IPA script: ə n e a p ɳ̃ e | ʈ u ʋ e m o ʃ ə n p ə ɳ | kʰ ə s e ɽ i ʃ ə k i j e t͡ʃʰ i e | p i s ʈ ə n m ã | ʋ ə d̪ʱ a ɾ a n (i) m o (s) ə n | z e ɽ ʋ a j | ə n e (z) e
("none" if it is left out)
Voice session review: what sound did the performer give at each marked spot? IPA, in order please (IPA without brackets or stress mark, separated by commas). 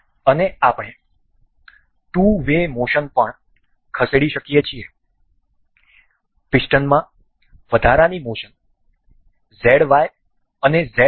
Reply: i, ʃ, z